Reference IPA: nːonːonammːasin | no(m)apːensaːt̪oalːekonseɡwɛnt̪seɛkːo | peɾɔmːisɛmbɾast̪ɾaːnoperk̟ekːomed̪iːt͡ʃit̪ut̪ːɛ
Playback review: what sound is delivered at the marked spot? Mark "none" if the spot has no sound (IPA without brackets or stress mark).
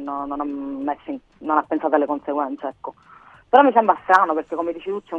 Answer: n